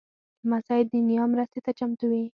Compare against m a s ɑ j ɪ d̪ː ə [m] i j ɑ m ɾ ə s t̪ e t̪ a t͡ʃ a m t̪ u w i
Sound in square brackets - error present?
yes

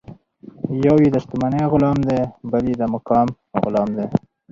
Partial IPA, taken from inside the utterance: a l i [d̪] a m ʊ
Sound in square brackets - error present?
no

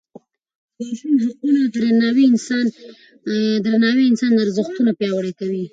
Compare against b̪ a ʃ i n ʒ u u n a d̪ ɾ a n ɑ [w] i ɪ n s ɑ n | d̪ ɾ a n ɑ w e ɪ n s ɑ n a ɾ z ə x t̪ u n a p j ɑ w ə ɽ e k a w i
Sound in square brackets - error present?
no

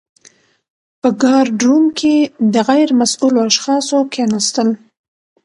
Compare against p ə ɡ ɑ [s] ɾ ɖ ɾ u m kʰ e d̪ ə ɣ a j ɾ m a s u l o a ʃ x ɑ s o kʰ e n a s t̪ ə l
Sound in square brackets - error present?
yes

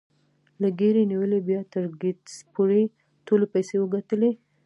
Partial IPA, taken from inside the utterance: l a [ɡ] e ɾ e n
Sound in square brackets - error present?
no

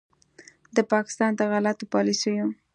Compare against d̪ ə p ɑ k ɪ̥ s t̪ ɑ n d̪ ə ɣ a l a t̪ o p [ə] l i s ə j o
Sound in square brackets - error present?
yes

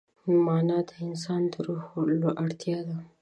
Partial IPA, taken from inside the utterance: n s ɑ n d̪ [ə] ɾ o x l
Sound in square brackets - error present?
no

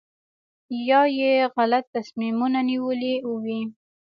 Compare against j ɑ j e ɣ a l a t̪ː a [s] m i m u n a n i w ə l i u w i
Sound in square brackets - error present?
no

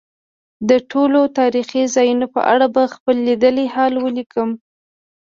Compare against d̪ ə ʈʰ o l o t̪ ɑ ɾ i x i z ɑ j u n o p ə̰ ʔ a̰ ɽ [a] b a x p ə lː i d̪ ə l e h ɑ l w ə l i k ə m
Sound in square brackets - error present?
no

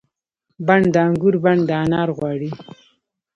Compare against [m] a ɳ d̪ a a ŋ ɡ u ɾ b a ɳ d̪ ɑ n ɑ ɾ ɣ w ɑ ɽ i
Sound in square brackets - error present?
yes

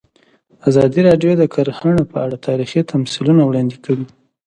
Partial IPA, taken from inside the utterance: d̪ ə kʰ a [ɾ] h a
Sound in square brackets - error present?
no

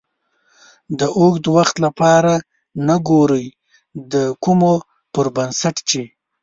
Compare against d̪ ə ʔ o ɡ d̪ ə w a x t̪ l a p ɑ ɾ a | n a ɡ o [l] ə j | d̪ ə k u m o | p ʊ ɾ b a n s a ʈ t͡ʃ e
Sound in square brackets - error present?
yes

